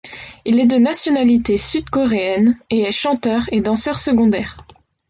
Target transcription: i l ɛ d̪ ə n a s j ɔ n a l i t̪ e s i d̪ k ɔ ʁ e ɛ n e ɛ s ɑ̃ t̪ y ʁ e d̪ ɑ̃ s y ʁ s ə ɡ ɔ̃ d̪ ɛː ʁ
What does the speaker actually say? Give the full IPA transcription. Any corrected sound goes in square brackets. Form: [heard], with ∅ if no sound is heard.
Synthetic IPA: i l ɛ d̪ ə n a s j ɔ n a l i t̪ e s [y] d̪ k ɔ ʁ e ɛ n e ɛ [ʃ] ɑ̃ t̪ [œ] ʁ e d̪ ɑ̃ s [œ] ʁ s ə ɡ ɔ̃ d̪ ɛː ʁ